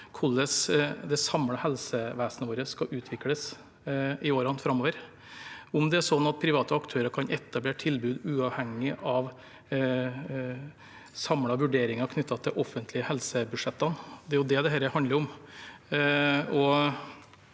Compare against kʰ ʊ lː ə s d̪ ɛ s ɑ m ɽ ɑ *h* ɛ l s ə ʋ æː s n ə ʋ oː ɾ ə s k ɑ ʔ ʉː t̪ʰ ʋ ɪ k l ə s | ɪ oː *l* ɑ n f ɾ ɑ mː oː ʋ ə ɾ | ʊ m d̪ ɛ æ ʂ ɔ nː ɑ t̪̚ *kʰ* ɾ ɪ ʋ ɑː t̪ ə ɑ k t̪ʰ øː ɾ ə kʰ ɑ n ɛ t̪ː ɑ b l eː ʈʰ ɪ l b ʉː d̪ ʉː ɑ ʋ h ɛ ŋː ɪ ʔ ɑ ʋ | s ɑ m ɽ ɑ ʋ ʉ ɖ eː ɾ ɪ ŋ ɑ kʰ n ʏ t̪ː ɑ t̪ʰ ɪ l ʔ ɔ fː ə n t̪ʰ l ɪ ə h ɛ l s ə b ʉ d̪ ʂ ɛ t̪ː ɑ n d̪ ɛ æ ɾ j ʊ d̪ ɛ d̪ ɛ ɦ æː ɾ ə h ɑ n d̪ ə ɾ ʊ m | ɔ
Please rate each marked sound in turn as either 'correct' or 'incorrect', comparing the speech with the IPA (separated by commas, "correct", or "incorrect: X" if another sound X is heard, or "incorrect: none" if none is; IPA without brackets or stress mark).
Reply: correct, incorrect: ɾ, incorrect: pʰ